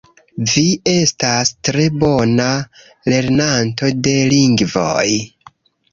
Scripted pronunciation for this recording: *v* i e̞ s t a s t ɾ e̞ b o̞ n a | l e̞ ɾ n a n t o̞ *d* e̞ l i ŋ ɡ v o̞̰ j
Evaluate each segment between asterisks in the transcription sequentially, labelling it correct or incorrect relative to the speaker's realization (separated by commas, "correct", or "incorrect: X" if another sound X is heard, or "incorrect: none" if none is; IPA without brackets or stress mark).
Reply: correct, correct